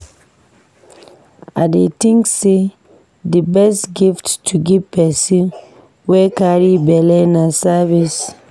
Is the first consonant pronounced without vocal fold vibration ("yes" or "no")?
no